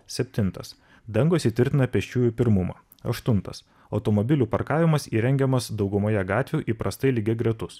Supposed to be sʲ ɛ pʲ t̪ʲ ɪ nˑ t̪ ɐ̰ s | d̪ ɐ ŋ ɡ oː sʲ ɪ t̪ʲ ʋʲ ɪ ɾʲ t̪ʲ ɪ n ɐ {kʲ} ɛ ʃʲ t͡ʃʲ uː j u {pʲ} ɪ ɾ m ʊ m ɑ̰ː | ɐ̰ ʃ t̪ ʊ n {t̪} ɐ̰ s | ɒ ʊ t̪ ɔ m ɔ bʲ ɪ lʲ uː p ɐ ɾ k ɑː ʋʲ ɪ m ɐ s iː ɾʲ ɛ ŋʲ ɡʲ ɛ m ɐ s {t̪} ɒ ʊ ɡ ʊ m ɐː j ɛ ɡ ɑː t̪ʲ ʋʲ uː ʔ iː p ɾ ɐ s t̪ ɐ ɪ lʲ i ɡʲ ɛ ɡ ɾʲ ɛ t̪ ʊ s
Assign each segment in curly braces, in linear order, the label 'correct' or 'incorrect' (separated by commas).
incorrect, correct, correct, incorrect